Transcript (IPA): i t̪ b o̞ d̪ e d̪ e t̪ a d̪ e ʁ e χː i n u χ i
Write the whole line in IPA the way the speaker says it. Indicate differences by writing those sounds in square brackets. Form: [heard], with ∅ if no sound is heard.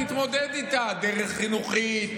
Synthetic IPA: i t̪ [m] o̞ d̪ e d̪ [i] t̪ a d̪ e ʁ e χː i n u χ i